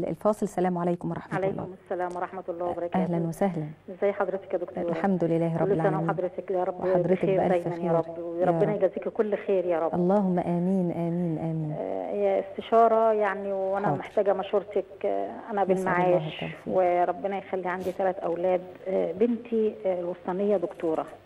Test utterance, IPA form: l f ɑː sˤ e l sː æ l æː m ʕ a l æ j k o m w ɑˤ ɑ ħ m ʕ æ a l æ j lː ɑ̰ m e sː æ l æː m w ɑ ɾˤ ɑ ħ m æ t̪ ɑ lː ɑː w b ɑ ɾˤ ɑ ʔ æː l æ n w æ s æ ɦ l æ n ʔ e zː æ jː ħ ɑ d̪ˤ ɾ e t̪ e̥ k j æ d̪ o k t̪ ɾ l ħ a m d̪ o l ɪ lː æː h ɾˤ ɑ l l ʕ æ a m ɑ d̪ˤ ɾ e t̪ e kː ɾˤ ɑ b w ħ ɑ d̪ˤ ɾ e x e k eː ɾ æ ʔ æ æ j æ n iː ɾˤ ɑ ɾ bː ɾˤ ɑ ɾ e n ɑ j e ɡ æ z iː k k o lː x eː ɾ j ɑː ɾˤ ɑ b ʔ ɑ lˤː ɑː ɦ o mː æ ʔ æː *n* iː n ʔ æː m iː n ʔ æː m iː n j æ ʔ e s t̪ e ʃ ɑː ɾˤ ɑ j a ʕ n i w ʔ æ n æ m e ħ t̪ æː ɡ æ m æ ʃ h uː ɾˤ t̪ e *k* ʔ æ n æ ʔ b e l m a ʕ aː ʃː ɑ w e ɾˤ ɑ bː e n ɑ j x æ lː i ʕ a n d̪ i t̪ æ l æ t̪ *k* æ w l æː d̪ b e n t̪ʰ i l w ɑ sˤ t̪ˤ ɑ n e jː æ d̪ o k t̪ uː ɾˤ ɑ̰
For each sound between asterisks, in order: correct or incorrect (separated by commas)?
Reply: incorrect, correct, incorrect